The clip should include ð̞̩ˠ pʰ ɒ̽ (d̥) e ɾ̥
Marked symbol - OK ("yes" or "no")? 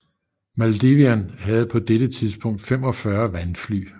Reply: yes